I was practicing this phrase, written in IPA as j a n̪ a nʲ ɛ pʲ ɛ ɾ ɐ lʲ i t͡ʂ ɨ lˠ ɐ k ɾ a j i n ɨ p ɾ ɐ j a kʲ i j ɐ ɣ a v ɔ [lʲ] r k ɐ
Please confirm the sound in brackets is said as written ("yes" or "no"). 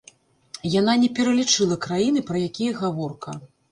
no